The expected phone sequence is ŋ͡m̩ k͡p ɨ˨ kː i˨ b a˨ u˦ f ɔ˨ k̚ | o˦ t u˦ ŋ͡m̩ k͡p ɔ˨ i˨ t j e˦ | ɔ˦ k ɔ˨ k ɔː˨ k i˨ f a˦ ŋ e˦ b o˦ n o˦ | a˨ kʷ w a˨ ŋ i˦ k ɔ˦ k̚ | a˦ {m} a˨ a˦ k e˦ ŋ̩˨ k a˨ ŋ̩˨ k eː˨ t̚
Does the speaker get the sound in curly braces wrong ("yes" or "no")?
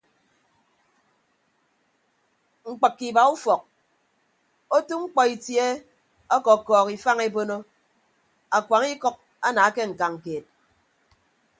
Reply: yes